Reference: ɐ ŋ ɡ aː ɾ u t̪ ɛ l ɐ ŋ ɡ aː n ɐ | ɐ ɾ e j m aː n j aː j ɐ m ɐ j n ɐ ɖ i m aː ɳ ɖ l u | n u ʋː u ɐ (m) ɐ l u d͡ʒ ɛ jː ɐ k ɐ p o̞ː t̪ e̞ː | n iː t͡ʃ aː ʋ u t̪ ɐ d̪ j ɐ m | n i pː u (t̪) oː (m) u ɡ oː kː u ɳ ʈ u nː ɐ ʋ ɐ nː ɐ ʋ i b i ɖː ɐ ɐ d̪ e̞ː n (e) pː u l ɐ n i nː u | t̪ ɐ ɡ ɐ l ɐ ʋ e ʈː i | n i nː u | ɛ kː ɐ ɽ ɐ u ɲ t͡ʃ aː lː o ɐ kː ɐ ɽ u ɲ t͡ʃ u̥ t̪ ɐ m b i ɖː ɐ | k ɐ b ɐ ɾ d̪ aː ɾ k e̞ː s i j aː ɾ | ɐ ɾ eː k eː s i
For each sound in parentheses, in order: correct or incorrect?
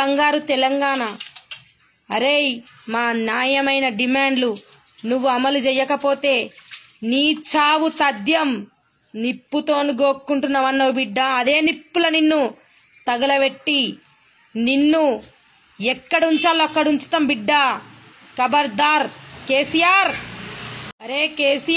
correct, correct, incorrect, incorrect

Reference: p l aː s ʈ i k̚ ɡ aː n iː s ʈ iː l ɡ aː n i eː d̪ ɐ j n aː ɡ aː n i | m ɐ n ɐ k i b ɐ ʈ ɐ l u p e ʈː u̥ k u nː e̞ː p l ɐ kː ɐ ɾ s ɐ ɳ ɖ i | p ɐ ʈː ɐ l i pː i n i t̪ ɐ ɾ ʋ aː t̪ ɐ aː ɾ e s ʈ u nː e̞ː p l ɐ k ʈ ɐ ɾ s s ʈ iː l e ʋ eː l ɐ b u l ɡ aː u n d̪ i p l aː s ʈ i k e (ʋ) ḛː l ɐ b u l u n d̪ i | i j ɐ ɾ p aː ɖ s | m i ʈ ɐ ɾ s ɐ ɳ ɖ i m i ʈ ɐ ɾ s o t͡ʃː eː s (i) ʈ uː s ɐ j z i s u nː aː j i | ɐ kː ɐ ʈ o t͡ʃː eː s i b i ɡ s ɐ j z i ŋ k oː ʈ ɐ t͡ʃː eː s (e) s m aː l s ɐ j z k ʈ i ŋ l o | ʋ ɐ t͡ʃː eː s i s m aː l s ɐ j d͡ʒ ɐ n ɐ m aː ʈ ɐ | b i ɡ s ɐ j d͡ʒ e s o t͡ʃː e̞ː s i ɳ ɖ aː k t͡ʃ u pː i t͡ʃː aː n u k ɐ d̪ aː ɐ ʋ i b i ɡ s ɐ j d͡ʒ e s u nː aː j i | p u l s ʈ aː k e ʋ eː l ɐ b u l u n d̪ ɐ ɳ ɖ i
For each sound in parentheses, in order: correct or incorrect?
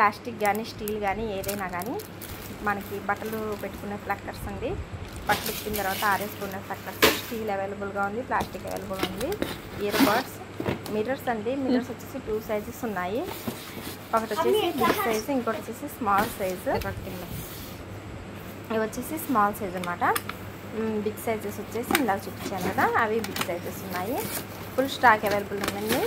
correct, correct, incorrect

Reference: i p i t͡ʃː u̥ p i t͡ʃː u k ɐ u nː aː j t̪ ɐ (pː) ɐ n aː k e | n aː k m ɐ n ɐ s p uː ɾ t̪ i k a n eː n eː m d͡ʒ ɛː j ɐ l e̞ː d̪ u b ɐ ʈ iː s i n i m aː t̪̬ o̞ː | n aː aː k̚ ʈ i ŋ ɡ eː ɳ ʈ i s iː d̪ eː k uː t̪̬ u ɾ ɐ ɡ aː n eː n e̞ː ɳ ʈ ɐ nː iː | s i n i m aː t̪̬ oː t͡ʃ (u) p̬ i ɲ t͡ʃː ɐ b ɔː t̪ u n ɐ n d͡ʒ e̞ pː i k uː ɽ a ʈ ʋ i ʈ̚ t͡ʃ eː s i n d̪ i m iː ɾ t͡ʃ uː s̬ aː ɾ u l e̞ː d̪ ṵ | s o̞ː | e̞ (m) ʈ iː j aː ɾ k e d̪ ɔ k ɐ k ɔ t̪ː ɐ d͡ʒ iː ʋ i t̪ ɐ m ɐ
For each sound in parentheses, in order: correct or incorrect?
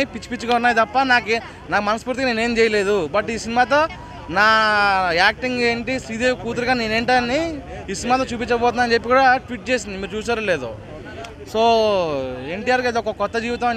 correct, incorrect, incorrect

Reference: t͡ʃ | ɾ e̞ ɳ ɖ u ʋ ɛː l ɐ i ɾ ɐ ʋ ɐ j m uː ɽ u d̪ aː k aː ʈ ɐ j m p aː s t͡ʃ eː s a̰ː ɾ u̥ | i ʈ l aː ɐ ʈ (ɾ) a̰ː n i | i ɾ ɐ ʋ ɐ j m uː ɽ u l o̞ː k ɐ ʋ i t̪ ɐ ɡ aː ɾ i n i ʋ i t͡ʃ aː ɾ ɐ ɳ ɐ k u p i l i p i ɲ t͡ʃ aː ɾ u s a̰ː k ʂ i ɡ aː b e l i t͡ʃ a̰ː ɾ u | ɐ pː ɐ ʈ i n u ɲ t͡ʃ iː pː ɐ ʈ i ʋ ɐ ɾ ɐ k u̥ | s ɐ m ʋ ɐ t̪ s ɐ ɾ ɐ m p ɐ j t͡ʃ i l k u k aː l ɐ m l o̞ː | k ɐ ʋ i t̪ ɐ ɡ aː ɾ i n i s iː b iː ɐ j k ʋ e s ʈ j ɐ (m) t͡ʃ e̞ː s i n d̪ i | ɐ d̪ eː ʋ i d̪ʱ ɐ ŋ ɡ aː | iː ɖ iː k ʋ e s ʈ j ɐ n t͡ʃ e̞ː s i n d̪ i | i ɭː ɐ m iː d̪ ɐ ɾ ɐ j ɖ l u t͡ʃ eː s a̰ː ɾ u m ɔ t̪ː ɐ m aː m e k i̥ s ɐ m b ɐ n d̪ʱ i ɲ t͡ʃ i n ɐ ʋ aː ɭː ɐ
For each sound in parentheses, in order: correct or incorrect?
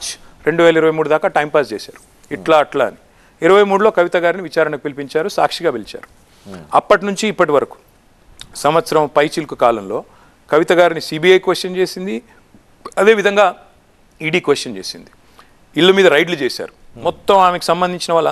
incorrect, incorrect

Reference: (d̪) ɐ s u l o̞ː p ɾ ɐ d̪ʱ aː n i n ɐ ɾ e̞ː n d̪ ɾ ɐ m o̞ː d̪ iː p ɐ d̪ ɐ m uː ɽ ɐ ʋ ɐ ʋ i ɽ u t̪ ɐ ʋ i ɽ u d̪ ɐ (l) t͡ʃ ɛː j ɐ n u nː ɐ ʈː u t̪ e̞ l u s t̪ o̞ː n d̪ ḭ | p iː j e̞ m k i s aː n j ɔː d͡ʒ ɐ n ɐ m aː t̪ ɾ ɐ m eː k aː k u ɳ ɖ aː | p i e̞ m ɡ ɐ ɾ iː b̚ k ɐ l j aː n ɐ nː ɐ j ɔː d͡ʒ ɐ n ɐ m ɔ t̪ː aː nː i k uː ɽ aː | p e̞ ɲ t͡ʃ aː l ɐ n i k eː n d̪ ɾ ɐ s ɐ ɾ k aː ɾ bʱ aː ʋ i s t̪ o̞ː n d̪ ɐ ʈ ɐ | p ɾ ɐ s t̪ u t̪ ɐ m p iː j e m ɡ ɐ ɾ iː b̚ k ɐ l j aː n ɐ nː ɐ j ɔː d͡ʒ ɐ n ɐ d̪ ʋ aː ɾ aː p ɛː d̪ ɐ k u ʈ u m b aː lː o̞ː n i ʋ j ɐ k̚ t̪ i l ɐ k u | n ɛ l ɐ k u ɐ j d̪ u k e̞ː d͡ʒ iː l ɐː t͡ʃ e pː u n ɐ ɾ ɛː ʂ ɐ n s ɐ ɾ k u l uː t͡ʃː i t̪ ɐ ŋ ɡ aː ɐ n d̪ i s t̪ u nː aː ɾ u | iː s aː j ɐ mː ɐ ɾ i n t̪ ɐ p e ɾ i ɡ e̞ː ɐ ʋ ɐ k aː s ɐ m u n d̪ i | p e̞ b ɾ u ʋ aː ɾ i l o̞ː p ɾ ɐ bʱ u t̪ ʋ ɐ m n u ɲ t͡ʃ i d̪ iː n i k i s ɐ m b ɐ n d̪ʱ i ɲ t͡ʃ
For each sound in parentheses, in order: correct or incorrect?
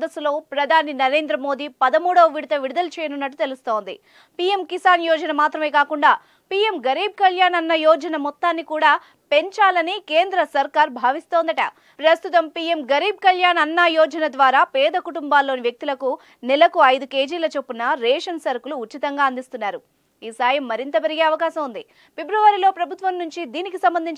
correct, correct

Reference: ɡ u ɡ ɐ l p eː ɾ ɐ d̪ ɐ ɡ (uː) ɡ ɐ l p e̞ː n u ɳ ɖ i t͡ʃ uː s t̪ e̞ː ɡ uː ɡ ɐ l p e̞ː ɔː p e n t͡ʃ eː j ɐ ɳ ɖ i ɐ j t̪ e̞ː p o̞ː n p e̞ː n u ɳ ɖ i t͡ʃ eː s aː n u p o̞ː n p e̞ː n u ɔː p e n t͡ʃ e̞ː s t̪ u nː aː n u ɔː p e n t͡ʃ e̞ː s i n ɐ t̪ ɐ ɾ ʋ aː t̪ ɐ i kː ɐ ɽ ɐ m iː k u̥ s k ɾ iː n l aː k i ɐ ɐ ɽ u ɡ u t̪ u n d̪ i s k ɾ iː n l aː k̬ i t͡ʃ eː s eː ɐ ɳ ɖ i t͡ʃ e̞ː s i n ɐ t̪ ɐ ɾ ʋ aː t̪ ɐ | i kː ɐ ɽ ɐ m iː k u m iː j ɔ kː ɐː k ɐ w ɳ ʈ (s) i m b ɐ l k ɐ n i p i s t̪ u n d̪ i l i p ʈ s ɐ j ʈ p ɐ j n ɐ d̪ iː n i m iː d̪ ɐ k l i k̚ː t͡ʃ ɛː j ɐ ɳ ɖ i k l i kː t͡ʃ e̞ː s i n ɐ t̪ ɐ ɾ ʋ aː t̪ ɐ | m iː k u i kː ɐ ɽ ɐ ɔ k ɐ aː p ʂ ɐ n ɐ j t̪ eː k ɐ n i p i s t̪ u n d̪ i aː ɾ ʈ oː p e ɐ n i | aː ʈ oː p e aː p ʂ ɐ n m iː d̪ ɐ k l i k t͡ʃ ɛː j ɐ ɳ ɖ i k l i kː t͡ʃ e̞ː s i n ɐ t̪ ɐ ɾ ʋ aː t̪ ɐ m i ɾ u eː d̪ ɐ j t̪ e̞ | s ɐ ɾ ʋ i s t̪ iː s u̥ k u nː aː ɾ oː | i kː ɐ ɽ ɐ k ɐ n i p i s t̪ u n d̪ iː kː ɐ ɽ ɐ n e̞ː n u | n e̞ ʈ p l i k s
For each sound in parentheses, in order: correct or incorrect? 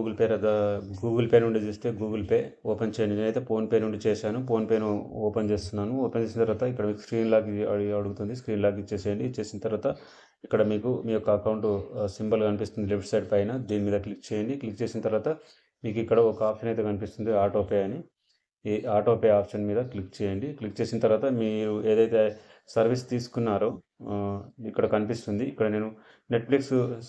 correct, correct

